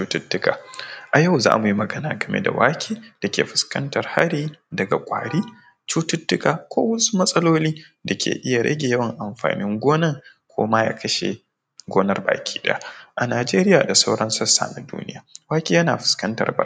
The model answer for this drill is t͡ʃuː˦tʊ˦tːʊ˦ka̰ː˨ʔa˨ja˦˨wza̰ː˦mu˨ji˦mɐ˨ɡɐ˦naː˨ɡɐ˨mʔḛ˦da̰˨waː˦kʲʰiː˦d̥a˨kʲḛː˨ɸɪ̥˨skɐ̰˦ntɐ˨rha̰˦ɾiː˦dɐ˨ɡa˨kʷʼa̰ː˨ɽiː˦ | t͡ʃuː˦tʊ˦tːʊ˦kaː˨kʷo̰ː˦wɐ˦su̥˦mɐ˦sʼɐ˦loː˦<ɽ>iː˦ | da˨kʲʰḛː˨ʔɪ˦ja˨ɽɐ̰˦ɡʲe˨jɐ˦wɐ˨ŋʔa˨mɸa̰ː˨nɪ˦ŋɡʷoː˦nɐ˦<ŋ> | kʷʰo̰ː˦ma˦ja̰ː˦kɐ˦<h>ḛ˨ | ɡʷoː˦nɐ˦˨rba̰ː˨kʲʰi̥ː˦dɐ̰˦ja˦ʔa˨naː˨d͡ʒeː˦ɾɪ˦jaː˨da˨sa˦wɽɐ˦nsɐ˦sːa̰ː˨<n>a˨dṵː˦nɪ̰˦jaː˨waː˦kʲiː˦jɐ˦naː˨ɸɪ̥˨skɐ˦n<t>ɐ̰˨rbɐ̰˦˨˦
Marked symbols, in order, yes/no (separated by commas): no, yes, no, yes, yes